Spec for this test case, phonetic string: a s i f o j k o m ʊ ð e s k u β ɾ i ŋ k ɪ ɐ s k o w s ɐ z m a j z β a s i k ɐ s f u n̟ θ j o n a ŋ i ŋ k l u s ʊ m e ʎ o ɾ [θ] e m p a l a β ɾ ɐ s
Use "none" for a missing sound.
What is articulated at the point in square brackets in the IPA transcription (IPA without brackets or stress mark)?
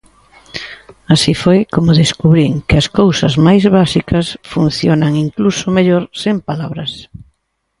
s